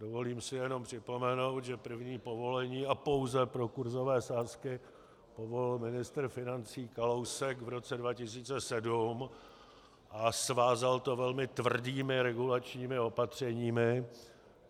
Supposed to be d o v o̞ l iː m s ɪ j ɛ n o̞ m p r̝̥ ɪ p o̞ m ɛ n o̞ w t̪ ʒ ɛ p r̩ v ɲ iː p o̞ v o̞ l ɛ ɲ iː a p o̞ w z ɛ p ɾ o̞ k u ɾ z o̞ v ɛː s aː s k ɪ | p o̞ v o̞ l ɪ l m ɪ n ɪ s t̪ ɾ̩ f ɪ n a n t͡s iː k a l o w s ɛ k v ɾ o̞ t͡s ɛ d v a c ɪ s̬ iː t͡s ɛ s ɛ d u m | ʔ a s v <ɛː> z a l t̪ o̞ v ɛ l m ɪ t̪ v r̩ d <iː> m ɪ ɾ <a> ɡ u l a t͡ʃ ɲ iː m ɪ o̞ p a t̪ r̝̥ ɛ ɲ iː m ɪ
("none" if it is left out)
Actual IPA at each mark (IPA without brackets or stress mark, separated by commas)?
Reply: aː, iː, ɛ